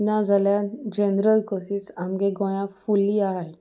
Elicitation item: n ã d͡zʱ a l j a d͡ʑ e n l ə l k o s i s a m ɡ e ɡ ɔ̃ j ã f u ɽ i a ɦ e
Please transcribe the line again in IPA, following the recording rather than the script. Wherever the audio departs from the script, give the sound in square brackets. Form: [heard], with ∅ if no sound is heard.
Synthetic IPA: n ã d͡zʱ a l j a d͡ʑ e n [ɾ] ə l k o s i s a m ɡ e ɡ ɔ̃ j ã f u [l] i a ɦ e